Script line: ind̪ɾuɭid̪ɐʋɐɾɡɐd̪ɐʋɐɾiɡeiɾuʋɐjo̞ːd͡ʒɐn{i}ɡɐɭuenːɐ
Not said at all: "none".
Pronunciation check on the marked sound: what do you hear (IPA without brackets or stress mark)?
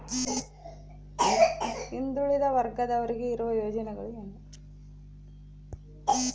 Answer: ɛ